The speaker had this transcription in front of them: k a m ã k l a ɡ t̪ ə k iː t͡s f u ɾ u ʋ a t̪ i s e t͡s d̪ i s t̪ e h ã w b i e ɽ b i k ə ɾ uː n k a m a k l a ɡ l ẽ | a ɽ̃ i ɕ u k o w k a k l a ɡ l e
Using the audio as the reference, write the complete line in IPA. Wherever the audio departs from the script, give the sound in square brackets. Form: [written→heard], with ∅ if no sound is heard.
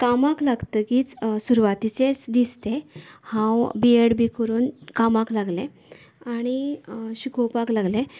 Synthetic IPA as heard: k a m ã k l a ɡ t̪ ə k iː t͡s [f→s] u ɾ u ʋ a t̪ i [s→t͡s] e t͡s d̪ i s t̪ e h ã w b i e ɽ b i k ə ɾ uː n k a m a k l a ɡ l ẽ | a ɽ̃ i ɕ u k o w [k→p] a k l a ɡ l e